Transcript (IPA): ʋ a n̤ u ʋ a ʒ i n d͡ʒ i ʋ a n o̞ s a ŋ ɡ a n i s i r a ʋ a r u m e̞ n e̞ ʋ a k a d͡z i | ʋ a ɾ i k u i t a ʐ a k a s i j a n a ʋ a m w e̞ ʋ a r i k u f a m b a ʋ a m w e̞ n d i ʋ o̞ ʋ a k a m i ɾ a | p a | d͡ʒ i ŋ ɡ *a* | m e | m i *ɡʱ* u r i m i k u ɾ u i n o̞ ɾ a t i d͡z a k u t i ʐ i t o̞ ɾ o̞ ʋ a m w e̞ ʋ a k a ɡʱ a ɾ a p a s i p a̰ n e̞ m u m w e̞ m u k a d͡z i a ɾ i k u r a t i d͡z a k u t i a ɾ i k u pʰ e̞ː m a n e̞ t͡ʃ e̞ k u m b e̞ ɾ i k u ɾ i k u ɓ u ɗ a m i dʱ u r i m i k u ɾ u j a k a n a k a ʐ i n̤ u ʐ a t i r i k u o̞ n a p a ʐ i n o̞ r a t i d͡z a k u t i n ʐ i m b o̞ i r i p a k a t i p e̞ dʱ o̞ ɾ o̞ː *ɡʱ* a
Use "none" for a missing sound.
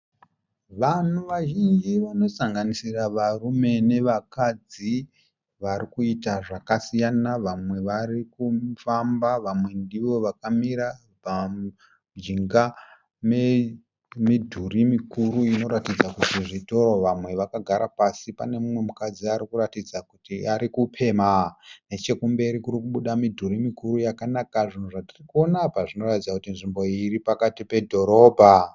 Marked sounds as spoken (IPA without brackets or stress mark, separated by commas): a, dʱ, bʱ